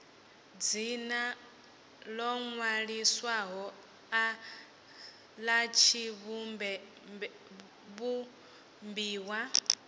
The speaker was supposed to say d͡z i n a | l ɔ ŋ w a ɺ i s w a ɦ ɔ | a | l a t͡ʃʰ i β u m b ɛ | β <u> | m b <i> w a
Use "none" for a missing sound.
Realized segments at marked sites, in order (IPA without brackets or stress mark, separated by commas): u, iː